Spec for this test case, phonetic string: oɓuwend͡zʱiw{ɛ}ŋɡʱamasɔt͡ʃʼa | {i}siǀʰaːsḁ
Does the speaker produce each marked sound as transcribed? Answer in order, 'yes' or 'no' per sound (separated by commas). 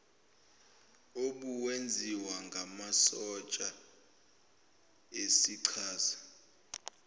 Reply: no, no